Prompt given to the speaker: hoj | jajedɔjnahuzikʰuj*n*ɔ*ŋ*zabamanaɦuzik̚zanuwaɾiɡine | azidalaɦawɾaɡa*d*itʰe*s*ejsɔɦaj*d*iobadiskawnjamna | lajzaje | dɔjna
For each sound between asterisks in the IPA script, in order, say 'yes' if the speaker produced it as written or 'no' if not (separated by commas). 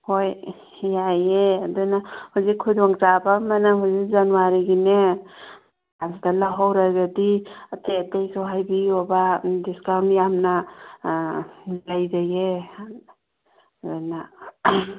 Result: no, yes, yes, no, no